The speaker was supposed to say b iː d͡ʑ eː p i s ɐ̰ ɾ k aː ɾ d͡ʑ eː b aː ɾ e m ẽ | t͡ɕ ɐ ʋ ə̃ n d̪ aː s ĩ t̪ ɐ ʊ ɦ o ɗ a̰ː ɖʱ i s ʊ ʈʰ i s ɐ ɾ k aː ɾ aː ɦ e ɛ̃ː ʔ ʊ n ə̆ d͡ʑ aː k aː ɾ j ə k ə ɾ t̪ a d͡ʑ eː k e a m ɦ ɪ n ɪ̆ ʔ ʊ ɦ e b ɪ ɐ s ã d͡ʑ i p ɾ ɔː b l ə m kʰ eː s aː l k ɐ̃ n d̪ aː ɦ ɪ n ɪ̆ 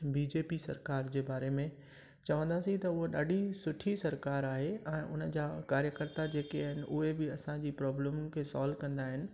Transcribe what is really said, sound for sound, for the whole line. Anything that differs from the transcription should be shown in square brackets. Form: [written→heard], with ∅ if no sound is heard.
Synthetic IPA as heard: b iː d͡ʑ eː p i s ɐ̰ ɾ k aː ɾ d͡ʑ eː b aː ɾ e m ẽ | t͡ɕ ɐ ʋ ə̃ n d̪ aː s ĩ t̪ ɐ ʊ ɦ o ɗ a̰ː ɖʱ i s ʊ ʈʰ i s ɐ ɾ k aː ɾ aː ɦ e ɛ̃ː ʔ ʊ n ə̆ d͡ʑ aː k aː ɾ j ə k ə ɾ t̪ a d͡ʑ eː k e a [m→∅] ɦ ɪ n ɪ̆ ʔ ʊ ɦ e b ɪ ɐ s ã d͡ʑ [i→iː] p ɾ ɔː b l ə m kʰ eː s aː l k ɐ̃ n d̪ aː ɦ ɪ n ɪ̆